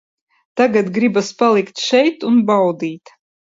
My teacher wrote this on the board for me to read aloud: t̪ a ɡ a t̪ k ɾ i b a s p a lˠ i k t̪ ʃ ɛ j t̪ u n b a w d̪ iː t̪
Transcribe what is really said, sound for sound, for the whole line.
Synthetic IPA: t̪ a ɡ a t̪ ɡ ɾ i b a s p a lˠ i k t̪ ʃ ɛ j t̪ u n b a w d̪ iː t̪